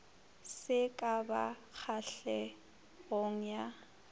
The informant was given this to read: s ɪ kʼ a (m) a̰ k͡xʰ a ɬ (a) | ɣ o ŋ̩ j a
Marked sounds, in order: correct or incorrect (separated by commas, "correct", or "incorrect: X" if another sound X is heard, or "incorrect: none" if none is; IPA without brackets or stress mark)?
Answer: incorrect: b, incorrect: ɛ